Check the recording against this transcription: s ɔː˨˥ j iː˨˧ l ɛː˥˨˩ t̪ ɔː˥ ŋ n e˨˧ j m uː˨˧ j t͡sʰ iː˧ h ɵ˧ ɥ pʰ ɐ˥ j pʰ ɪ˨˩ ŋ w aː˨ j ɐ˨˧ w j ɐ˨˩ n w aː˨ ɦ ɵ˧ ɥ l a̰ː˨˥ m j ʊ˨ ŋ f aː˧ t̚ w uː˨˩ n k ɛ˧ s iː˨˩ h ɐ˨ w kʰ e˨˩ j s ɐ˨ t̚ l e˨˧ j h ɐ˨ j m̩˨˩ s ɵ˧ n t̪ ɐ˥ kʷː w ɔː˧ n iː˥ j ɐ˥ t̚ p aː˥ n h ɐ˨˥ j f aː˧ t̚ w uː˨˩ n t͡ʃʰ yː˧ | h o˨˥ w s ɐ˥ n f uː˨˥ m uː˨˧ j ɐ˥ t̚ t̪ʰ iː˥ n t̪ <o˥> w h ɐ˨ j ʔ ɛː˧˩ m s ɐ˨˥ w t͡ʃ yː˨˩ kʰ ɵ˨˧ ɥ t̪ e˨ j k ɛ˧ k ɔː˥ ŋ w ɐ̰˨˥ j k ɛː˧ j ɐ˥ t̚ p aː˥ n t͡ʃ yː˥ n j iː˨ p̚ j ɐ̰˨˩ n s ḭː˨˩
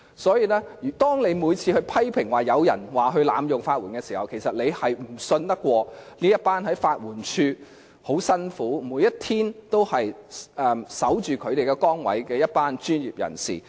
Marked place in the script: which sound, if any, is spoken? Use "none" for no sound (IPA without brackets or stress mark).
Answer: o˥